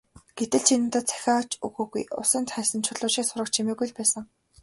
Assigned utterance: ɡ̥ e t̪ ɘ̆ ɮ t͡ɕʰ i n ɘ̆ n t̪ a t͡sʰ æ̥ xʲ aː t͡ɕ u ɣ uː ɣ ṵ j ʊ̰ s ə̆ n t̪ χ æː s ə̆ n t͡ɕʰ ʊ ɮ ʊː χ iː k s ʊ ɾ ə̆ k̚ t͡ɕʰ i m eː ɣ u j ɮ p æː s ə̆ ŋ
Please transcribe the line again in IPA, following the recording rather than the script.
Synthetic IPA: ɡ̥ e t̪ ɘ̆ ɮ t͡ɕʰ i n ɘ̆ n t̪ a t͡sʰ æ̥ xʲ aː t͡ɕ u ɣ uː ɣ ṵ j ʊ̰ s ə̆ n t̪ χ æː s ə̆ n t͡ɕʰ ʊ ɮ ʊː ʃ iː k s ʊ ɾ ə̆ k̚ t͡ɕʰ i m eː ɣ u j ɮ p æː s ə̆ ŋ